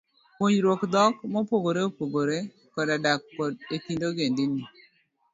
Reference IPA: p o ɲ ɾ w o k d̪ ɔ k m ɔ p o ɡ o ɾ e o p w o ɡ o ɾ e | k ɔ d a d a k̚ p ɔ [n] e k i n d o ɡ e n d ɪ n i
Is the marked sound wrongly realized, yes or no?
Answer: yes